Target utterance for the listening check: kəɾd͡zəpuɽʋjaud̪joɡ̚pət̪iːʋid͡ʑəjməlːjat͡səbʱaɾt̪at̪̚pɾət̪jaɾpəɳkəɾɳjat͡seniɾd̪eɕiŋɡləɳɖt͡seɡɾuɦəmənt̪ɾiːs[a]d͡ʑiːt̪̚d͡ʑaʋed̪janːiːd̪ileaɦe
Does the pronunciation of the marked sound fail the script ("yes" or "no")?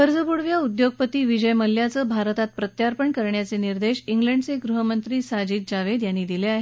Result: no